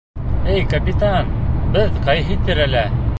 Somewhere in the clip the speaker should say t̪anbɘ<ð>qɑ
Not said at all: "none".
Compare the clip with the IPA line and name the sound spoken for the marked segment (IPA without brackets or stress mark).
ð